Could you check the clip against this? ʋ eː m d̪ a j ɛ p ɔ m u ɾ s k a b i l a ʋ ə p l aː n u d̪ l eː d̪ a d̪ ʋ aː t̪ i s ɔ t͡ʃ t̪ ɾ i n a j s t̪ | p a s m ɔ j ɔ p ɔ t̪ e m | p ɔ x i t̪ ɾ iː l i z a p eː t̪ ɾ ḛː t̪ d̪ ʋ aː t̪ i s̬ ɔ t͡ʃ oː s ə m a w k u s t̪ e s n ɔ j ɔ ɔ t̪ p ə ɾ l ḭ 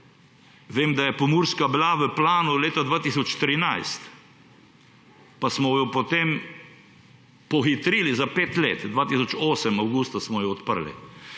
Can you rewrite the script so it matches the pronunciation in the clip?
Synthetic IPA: ʋ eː m d̪ a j ɛ p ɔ m u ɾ s k a b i l a ʋ ə p l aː n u l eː t̪ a d̪ ʋ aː t̪ i s ɔ t͡ʃ t̪ ɾ i n a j s t̪ | p a s m ɔ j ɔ p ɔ t̪ e m | p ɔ x i t̪ ɾ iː l i z a p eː t̪ l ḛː t̪ d̪ ʋ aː t̪ i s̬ ɔ t͡ʃ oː s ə m a w ɡ u s t̪ a s m ɔ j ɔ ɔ t̪ p ə ɾ l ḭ